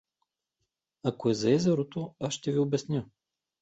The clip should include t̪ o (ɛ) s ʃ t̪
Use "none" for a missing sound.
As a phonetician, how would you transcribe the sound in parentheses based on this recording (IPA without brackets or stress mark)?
a